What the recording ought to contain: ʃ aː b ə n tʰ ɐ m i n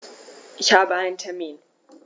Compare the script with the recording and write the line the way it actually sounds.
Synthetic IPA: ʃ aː b a n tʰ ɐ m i n